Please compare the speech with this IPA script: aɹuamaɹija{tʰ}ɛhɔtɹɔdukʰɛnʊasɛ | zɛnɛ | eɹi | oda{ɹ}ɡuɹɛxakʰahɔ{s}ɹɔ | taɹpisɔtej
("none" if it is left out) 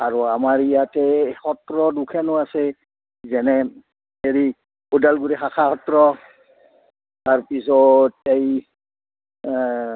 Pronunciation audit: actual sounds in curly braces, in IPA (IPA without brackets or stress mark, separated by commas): t, l, t